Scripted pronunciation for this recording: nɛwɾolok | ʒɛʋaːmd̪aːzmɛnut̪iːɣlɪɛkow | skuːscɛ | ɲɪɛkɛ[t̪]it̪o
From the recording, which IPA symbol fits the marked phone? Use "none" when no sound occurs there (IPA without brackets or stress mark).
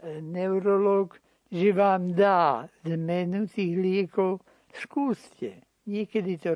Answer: d̪